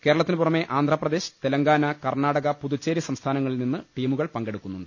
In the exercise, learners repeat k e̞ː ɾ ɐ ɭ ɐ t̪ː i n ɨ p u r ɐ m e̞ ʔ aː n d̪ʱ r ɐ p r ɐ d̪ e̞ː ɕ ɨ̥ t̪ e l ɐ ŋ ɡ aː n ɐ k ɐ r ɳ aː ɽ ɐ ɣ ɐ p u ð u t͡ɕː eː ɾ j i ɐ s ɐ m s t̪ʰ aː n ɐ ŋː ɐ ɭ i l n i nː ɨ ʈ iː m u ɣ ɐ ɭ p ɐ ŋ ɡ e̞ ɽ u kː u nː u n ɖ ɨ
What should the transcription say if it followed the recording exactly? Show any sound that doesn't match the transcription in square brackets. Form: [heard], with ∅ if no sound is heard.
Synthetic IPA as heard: k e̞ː ɾ ɐ ɭ ɐ t̪ː i n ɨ p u r ɐ m e̞ ʔ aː n d̪ʱ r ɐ p r ɐ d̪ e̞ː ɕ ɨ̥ t̪ e l ɐ ŋ ɡ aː n ɐ k ɐ r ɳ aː ɽ ɐ ɣ ɐ p u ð u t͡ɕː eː ɾ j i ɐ s ɐ m s t̪ʰ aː n ɐ ŋː ɐ ɭ i l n i nː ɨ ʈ iː m u ɣ ɐ ɭ p ɐ ŋ ɡ e̞ ɽ u kː u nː u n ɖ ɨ